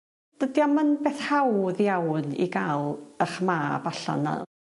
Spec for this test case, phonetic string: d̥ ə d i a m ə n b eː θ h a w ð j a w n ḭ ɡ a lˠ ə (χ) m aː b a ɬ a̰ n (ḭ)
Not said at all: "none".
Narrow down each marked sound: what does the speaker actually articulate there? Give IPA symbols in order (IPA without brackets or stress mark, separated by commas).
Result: χ, a̰